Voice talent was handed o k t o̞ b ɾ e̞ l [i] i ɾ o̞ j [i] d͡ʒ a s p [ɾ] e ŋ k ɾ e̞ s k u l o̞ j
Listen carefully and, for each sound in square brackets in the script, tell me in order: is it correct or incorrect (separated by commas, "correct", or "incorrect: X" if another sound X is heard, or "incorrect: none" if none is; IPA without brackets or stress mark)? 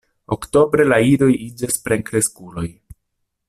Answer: incorrect: a, correct, correct